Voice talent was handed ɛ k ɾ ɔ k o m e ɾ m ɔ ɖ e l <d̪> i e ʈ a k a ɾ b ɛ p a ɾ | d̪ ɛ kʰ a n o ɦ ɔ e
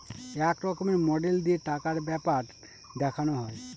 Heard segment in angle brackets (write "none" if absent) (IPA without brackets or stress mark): d̪